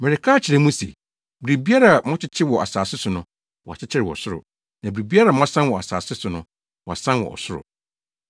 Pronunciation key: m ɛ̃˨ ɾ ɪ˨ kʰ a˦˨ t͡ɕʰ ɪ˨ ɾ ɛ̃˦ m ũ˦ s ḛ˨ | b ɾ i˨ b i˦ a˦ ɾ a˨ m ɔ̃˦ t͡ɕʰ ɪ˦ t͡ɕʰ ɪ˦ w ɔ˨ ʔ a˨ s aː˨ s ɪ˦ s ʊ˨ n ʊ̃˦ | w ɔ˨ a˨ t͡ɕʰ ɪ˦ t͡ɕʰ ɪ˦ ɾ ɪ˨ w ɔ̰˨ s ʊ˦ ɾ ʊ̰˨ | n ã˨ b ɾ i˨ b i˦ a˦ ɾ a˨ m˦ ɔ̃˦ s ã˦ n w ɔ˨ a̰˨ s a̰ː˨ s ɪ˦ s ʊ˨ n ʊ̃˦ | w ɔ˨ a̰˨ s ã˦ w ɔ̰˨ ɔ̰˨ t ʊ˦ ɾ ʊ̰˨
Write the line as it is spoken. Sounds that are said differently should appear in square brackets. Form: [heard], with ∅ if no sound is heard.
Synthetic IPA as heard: m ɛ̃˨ ɾ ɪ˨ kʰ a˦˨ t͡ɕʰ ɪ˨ ɾ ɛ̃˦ m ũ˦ s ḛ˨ | b ɾ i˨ b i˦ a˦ ɾ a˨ m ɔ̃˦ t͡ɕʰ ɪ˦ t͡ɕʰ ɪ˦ w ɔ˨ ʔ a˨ s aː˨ s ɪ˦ s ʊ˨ n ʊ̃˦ | w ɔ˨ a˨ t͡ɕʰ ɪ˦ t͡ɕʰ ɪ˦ ɾ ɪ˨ w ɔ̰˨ s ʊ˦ ɾ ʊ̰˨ | n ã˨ b ɾ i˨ b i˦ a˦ ɾ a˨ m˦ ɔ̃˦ s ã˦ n w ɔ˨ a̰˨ s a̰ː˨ s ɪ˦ s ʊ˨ n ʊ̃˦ | w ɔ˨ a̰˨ s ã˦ w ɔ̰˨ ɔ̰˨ [s] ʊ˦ ɾ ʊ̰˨